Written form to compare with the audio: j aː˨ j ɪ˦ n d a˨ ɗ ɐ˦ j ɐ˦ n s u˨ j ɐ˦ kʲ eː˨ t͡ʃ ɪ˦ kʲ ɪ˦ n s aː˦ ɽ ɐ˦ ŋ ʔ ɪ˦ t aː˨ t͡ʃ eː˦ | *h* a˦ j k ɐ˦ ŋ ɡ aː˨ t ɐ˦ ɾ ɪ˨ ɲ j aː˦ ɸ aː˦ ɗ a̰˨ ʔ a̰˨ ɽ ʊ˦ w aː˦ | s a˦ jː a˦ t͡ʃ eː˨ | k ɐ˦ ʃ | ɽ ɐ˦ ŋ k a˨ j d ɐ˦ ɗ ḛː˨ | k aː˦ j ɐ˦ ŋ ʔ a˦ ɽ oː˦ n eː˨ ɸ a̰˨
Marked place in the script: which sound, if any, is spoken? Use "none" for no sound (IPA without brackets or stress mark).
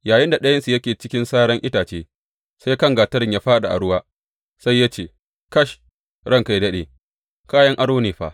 s